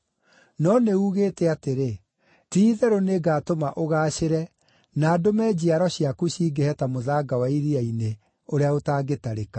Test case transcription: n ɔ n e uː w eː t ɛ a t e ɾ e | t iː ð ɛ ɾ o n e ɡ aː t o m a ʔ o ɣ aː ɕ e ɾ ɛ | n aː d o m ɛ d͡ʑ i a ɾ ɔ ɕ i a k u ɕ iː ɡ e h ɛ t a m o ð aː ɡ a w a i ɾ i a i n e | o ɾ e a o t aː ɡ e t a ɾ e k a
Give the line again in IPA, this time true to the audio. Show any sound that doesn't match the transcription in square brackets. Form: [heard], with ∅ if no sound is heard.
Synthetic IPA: n ɔ n e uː [ɣ] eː t ɛ a t e ɾ e | t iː ð ɛ ɾ o n e ɡ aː t o m a ʔ o ɣ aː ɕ e ɾ ɛ | n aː d o m ɛ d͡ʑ i a ɾ ɔ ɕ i a k u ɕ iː ɡ e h ɛ t a m o ð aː ɡ a w a i ɾ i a i n e | o ɾ e a o t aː ɡ e t a ɾ e k a